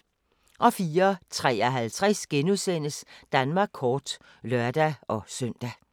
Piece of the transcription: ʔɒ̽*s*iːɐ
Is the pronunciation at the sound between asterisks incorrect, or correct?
incorrect